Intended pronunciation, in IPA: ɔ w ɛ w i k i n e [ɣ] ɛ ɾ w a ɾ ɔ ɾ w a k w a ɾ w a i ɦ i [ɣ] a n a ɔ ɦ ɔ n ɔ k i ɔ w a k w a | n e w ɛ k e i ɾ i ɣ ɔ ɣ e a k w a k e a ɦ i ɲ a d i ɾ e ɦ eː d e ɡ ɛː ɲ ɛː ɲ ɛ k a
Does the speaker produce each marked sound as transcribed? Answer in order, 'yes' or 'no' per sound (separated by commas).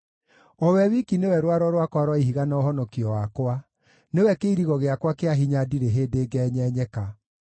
no, yes